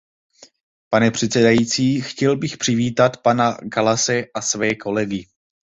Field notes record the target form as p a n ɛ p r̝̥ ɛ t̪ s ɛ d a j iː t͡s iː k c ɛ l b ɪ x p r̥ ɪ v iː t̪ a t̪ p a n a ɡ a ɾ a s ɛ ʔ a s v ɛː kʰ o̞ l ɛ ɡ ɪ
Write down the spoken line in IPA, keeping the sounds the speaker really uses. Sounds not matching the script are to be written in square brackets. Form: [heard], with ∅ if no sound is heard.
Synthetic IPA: p a n ɛ p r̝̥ ɛ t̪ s ɛ d a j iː t͡s iː [x] c ɛ l b ɪ x p r̥ ɪ v iː t̪ a t̪ p a n a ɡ a [l] a s ɛ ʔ a s v ɛː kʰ o̞ l ɛ ɡ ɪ